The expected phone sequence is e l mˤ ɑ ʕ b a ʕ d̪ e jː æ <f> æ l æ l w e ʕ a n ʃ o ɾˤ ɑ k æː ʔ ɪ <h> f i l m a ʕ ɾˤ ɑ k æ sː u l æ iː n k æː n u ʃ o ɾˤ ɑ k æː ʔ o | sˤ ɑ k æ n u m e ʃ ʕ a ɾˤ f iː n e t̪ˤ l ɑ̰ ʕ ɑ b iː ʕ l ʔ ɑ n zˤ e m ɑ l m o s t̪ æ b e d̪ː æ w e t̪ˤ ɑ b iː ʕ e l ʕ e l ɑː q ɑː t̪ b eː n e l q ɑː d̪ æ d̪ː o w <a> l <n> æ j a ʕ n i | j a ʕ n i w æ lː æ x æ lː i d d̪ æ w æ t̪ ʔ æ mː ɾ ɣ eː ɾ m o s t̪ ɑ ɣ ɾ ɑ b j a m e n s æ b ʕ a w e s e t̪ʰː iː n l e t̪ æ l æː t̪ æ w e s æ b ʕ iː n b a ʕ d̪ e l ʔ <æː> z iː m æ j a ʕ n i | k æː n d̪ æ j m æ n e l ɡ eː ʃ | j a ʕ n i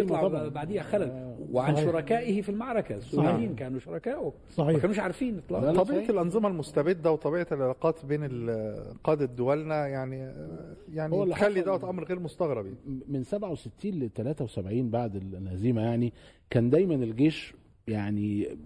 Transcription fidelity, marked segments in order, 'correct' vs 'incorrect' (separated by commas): incorrect, correct, incorrect, correct, incorrect